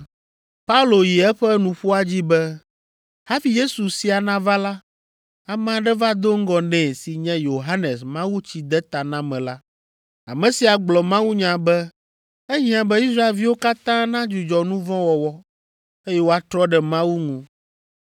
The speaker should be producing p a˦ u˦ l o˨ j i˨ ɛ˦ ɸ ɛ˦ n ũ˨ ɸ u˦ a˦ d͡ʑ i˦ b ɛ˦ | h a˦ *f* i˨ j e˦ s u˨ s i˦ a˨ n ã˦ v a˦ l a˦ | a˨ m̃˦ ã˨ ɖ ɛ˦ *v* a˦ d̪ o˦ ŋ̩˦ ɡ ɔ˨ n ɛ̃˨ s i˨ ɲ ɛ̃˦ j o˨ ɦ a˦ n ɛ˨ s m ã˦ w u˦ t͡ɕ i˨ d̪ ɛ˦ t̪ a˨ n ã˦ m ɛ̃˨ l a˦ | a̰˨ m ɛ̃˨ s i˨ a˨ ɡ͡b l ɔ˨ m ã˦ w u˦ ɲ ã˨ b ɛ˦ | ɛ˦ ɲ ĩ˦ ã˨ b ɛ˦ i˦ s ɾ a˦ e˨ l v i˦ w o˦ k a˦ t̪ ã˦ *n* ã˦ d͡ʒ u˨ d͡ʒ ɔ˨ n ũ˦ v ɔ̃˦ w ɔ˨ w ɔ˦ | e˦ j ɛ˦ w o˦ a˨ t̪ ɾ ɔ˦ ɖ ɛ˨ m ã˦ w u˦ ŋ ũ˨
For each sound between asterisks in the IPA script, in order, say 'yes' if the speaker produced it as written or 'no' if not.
yes, yes, yes

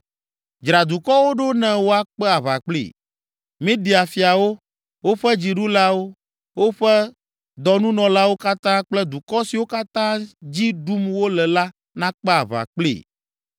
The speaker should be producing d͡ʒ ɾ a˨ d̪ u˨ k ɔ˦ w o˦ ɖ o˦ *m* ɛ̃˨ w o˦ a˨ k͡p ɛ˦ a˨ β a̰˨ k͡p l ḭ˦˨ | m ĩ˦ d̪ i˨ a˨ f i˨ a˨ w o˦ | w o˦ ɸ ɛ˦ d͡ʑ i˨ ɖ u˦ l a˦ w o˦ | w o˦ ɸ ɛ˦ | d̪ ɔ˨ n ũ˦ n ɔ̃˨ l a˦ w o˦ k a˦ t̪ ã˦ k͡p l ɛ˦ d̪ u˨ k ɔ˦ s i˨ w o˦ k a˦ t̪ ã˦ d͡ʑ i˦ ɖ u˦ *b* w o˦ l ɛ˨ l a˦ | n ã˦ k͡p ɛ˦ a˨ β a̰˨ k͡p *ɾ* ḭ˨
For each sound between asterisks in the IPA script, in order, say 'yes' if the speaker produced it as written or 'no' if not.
no, no, no

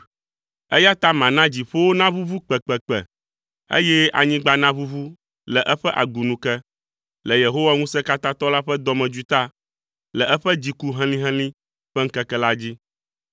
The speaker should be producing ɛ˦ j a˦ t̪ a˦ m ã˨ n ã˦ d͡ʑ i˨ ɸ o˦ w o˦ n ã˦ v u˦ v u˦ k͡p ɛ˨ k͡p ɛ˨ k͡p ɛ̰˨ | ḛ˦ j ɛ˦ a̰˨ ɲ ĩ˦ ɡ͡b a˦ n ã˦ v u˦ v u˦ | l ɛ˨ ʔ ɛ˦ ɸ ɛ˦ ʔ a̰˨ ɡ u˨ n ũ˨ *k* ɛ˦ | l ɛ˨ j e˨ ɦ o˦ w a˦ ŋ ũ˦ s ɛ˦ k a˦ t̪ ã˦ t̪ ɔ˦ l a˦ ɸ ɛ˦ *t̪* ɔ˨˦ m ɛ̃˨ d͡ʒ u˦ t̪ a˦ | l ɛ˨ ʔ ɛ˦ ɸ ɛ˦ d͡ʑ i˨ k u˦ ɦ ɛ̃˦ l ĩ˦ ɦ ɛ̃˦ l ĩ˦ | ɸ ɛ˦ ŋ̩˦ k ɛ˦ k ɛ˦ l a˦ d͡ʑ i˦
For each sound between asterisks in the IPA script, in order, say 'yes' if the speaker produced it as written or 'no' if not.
yes, no

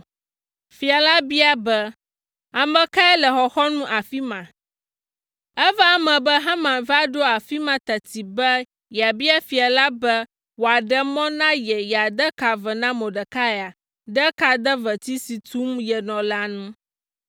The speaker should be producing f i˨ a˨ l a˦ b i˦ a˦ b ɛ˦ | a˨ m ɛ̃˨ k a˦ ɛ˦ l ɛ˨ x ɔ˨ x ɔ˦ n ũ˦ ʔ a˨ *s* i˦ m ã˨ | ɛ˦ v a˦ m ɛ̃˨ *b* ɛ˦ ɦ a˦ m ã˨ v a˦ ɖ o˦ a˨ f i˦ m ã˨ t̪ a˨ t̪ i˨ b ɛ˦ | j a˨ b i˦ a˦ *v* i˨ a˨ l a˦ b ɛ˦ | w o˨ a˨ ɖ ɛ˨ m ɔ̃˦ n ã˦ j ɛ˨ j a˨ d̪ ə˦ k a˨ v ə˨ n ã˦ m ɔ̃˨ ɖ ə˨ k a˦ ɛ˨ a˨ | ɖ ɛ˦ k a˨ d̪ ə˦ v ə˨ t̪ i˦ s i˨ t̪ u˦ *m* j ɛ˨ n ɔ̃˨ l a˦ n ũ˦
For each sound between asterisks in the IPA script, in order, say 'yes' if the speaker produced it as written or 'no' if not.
no, yes, no, yes

